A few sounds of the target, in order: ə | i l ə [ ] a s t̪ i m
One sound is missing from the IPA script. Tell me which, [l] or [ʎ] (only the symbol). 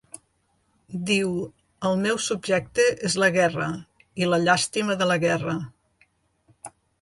ʎ